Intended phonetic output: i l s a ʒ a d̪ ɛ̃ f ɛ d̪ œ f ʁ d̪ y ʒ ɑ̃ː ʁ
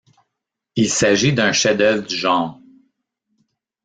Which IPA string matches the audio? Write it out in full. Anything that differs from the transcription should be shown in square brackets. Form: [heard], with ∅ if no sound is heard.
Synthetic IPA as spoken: i l s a ʒ [i] d̪ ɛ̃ [ʃ] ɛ d̪ œ [v] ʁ d̪ y ʒ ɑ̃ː ʁ